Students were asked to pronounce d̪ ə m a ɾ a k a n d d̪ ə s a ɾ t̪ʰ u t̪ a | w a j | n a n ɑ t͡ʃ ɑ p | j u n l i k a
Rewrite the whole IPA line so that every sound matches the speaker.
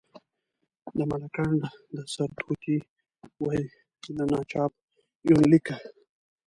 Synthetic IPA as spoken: d̪ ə m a l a k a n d d̪ ə s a ɾ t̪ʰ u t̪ i | w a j | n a n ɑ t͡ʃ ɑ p | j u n l i k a